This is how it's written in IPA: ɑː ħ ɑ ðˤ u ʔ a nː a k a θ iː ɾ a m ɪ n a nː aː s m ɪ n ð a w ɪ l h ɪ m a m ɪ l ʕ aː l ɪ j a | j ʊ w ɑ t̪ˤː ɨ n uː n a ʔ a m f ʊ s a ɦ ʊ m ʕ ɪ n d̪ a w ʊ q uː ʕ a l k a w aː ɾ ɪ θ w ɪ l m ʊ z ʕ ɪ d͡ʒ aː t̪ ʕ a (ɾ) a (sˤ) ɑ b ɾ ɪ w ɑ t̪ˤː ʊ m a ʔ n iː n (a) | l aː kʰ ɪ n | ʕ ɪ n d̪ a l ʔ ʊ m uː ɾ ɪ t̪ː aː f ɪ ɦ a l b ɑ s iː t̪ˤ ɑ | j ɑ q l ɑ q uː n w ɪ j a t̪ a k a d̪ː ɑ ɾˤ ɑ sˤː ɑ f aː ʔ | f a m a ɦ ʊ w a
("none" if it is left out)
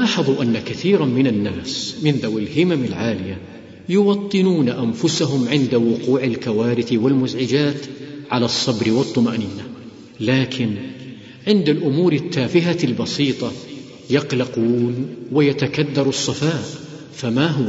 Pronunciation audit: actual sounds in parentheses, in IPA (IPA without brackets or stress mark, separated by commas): l, sˤː, a